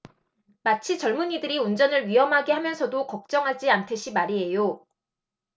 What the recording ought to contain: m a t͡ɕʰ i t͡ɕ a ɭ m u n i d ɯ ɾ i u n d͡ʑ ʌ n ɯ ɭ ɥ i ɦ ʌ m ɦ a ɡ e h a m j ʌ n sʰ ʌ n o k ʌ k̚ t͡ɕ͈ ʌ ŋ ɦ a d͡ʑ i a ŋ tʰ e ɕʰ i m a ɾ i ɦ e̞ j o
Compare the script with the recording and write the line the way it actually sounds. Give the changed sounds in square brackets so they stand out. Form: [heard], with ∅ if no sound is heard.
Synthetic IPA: m a t͡ɕʰ i t͡ɕ [ʌ] ɭ m u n i d ɯ ɾ i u n d͡ʑ ʌ n ɯ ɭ ɥ i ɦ ʌ m ɦ a ɡ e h a m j ʌ n sʰ ʌ [d] o k ʌ k̚ t͡ɕ͈ ʌ ŋ ɦ a d͡ʑ i a [n] tʰ e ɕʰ i m a ɾ i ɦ e̞ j o